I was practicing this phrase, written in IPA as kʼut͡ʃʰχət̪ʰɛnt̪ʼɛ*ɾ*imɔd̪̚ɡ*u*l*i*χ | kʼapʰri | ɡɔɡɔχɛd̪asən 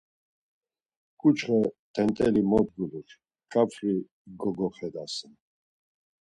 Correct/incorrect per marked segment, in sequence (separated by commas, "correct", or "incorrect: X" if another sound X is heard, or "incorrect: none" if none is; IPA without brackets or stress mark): incorrect: l, correct, correct